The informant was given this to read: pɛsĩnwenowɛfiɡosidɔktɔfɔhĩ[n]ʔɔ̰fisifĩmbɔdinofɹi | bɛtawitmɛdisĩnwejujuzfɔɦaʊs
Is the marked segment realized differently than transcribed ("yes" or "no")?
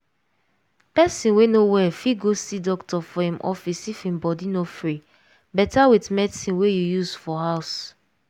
yes